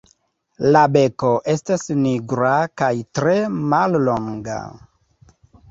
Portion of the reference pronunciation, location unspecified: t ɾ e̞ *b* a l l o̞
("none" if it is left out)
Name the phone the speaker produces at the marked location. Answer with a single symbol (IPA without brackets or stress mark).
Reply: m